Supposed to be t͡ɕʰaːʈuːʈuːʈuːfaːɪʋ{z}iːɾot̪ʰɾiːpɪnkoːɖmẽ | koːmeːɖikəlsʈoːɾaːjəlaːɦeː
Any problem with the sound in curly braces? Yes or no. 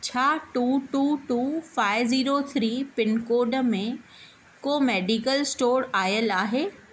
no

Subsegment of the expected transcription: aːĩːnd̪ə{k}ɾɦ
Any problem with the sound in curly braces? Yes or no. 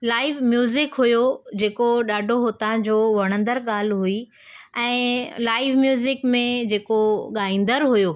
yes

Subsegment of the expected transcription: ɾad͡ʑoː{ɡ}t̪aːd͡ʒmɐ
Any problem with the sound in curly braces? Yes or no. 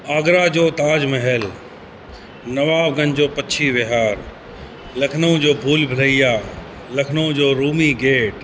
yes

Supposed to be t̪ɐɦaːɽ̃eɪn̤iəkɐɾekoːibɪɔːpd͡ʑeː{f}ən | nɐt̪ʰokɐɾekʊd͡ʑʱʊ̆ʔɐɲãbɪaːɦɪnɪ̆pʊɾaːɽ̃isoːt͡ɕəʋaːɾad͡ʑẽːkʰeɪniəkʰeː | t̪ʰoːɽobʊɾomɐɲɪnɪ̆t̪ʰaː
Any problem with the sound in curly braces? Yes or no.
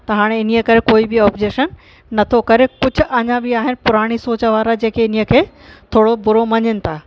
yes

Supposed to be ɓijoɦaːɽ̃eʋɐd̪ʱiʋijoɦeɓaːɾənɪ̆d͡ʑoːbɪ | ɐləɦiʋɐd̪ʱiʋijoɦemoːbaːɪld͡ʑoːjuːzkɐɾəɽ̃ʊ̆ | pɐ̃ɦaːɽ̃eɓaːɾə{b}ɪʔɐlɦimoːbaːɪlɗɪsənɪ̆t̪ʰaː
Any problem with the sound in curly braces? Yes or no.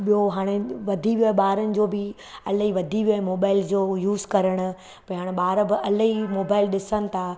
no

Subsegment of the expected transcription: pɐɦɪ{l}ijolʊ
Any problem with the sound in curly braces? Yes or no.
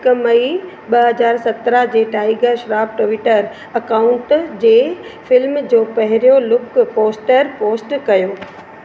yes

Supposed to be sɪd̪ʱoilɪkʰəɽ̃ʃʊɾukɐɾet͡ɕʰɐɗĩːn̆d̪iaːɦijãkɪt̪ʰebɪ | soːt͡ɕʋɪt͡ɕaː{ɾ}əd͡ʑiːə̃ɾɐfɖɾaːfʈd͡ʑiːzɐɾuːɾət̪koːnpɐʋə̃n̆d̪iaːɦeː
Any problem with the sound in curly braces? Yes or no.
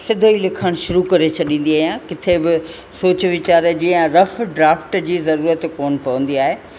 no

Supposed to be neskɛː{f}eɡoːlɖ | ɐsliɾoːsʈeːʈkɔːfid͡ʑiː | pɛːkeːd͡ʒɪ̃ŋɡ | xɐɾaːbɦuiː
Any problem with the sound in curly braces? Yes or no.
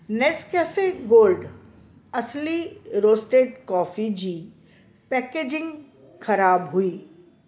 no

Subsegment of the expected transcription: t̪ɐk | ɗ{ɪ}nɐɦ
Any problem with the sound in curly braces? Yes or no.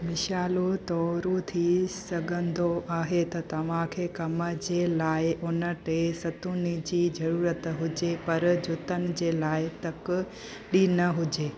yes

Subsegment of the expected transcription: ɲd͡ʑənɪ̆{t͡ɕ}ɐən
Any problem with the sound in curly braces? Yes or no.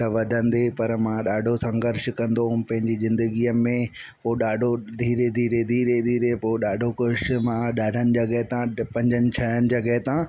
yes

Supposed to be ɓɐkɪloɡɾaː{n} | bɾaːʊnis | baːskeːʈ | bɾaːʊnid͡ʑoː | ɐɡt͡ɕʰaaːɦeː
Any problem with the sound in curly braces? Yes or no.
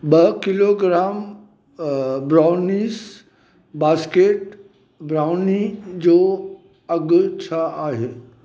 yes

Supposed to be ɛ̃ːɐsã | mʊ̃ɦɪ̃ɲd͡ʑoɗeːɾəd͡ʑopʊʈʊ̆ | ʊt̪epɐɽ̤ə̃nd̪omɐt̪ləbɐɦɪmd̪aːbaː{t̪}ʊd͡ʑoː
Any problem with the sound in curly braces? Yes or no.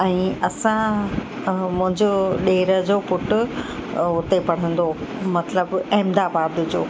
yes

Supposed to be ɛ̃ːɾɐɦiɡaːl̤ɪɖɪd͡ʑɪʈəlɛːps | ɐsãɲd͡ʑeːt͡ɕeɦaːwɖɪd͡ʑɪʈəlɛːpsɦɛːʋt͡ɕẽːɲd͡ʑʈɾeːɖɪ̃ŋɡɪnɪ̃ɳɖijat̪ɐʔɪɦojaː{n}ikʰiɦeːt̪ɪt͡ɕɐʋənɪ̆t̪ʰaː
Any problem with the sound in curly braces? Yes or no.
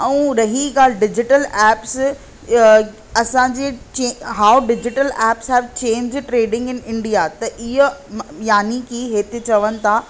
no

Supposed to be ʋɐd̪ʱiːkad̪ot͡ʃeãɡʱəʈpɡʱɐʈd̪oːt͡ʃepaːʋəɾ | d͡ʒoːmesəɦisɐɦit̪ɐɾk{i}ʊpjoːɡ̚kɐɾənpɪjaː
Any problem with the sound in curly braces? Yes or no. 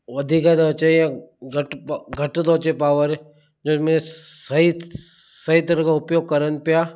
yes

